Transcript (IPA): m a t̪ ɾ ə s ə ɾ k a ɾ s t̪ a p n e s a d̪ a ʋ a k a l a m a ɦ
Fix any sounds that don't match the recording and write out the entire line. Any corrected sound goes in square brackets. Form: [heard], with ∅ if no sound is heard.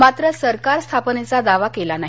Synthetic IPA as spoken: m a t̪ ɾ ə s ə ɾ k a ɾ s [t̪ʰ] a p n e [t͡s] a d̪ a ʋ a k [e] l a [n] a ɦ